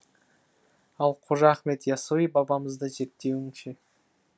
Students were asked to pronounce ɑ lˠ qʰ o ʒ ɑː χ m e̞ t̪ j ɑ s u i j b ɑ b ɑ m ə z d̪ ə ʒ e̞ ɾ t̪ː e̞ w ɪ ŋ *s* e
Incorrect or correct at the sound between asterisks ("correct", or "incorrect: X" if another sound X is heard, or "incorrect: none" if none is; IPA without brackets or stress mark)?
incorrect: ʃ